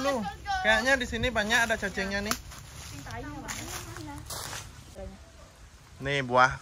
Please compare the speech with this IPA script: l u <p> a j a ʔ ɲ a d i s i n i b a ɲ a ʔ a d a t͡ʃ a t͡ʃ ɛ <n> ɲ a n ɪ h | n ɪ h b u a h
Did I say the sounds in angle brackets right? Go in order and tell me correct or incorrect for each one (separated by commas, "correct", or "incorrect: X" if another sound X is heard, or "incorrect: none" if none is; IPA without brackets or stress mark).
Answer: incorrect: k, incorrect: ŋ